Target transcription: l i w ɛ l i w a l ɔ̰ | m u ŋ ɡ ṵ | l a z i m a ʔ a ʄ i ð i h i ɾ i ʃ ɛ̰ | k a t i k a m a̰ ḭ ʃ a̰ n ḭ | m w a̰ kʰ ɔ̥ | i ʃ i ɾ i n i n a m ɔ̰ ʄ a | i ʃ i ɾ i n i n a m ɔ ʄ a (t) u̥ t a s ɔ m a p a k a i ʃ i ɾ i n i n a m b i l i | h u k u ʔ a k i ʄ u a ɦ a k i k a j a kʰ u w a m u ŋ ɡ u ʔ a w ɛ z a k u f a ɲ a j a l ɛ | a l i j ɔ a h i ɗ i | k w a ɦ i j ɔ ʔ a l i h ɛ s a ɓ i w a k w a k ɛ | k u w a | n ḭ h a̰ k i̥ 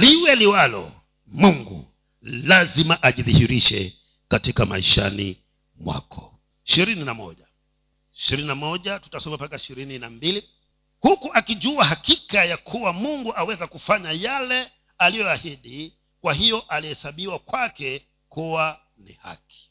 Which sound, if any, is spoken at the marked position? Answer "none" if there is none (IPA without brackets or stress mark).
t